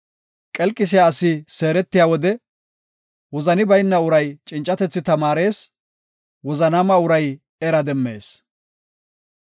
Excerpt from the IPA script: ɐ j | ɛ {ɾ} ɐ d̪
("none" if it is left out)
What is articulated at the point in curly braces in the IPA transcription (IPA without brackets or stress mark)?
ɾ